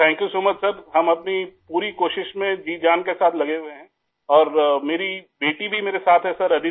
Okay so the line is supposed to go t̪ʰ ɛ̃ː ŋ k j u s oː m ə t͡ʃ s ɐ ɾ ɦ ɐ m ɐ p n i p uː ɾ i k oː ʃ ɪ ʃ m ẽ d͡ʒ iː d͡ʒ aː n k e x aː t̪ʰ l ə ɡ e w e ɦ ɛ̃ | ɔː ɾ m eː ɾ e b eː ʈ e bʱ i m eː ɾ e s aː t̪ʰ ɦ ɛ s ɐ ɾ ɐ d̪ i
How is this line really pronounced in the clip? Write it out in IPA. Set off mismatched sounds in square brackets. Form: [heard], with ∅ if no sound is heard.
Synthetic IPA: t̪ʰ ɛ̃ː ŋ k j u s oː m ə t͡ʃ s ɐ ɾ ɦ ɐ m ɐ p n i p uː ɾ i k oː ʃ ɪ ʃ m ẽ d͡ʒ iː d͡ʒ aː n k e [s] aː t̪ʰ l [ɐ] ɡ e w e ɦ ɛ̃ | ɔː ɾ m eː ɾ [i] b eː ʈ [i] bʱ i m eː ɾ e s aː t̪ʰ ɦ ɛ s ɐ ɾ ɐ d̪ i